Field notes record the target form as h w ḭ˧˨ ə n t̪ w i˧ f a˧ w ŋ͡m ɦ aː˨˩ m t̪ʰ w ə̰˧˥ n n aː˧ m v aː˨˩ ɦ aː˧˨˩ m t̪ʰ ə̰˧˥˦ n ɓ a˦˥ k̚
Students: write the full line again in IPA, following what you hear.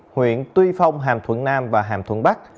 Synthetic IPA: h w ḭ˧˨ ə n t̪ w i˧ f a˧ w ŋ͡m ɦ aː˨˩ m t̪ʰ w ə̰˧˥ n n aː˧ m v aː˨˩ ɦ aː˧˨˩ m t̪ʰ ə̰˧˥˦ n ɓ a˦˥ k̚

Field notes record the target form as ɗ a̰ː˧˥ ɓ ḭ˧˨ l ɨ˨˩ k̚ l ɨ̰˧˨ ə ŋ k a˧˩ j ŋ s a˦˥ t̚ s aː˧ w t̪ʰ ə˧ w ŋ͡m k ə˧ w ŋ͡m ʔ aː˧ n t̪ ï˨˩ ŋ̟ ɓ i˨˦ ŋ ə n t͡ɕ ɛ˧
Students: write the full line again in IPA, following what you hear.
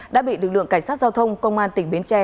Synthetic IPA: ɗ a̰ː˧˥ ɓ ḭ˧˨ l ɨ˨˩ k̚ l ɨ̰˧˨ ə ŋ k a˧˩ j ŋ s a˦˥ t̚ z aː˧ w t̪ʰ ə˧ w ŋ͡m k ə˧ w ŋ͡m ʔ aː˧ n t̪ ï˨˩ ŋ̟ ɓ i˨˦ ə n t͡ɕ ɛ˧

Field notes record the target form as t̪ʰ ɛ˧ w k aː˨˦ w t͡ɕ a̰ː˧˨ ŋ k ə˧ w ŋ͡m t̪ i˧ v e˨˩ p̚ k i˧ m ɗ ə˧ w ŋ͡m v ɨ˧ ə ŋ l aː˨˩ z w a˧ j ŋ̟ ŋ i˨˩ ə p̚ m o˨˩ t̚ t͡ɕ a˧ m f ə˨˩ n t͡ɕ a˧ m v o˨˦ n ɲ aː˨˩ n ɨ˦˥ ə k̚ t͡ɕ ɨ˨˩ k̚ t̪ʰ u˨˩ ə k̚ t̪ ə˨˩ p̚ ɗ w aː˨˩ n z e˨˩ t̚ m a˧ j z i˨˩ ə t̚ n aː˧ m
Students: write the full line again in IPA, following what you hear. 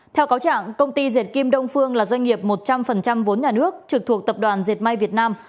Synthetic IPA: t̪ʰ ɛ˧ w k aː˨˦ w t͡ɕ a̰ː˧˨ ŋ k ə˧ w ŋ͡m t̪ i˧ z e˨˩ t̚ k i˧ m ɗ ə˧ w ŋ͡m f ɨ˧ ə ŋ l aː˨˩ z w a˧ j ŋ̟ ŋ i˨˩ ə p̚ m o˨˩ t̚ t͡ɕ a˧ m f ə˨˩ n t͡ɕ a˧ m v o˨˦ n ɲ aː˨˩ n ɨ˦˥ ə k̚ t͡ɕ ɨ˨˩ k̚ t̪ʰ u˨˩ ə k̚ t̪ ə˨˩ p̚ ɗ w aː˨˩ n z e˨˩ t̚ m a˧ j v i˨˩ ə t̚ n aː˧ m

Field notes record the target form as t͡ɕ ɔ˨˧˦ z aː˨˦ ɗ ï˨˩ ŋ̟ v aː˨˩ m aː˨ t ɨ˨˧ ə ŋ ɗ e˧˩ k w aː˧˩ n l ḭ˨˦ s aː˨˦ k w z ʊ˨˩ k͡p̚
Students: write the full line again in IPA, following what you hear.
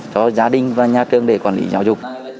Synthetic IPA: t͡ɕ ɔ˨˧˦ z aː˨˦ ɗ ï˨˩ ŋ̟ v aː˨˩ ɲ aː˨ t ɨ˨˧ ə ŋ ɗ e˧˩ k w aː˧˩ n l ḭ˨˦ z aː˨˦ w z ʊ˨˩ k͡p̚

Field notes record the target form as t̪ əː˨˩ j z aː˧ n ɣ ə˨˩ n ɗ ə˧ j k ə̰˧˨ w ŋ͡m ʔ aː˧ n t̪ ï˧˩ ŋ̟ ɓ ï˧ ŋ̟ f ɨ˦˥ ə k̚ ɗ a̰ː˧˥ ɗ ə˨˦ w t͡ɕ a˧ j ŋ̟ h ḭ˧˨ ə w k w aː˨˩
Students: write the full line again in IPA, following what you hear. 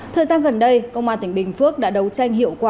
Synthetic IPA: t̪ʰ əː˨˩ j z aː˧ n ɣ ə˨˩ n ɗ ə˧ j k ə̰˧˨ w ŋ͡m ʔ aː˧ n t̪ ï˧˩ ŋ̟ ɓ ï˨˩ ŋ̟ f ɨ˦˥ ə k̚ ɗ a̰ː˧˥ ɗ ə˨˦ w t͡ɕ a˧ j ŋ̟ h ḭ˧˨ ə w k w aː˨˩

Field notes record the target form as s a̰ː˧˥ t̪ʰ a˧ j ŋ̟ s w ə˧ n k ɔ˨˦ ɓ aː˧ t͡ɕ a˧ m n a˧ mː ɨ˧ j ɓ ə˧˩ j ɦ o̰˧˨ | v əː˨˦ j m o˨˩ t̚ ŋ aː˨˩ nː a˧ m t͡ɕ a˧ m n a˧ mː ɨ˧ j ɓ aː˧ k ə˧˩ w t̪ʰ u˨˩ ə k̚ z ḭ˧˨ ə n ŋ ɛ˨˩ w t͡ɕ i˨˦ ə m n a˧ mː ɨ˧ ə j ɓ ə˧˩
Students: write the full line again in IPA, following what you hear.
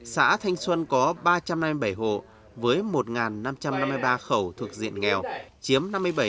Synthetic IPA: s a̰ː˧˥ t̪ʰ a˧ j ŋ̟ s w ə˧ n k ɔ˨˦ ɓ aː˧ t͡ɕ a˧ m n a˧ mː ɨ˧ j ɓ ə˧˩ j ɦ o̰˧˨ | v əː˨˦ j m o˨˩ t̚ ŋ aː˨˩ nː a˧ m t͡ɕ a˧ m n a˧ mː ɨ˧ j ɓ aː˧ x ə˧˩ w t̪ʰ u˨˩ ə k̚ z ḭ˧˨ ə n ŋ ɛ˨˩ w t͡ɕ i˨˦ ə m n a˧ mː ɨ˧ ə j ɓ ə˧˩

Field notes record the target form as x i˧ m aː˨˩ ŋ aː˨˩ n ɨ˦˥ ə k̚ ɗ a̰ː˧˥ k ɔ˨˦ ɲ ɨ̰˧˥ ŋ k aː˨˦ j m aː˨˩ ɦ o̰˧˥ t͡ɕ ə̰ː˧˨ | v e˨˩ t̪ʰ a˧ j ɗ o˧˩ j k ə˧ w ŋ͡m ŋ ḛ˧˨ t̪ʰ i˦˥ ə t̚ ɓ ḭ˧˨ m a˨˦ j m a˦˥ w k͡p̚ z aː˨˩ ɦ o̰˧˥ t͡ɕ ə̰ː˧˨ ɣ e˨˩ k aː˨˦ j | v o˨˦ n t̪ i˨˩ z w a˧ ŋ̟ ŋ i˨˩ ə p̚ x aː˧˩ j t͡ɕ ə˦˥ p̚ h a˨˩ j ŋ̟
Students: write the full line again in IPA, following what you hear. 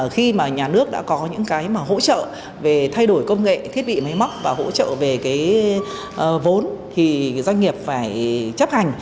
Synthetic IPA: x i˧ m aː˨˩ ɲ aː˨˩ n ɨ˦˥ ə k̚ ɗ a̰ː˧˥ k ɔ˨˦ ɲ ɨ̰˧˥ ŋ k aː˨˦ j m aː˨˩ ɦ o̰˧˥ t͡ɕ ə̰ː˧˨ | v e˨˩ t̪ʰ a˧ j ɗ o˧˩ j k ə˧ w ŋ͡m ŋ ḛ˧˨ t̪ʰ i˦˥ ə t̚ ɓ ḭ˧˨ m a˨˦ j m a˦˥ w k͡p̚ v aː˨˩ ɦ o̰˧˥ t͡ɕ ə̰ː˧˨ v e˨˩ k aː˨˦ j | v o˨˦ n t̪ʰ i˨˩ z w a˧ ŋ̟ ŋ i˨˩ ə p̚ f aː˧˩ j t͡ɕ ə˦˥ p̚ h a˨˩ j ŋ̟

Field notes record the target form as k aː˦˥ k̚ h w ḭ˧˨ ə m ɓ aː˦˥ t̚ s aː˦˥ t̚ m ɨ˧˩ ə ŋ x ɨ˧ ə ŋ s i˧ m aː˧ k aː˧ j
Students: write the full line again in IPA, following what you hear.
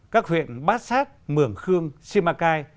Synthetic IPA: k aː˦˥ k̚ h w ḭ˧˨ ə n ɓ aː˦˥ t̚ s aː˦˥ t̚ m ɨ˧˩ ə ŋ x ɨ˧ ə ŋ s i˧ m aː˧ k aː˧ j

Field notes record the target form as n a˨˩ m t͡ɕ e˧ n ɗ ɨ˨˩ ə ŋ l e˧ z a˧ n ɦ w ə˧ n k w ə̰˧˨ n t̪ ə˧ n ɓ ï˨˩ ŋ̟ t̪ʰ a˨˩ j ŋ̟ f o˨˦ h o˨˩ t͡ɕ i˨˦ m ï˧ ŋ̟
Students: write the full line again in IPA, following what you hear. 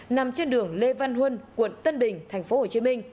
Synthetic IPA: n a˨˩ m t͡ɕ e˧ n ɗ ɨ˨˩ ə ŋ l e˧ v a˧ n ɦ w ə˧ n k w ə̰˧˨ n t̪ ə˧ n ɓ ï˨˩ ŋ̟ t̪ʰ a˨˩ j ŋ̟ f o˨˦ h o˨˩ t͡ɕ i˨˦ m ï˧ ŋ̟

